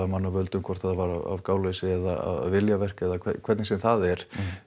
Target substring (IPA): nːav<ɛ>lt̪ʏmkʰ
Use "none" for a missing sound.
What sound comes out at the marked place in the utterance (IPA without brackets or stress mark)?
œ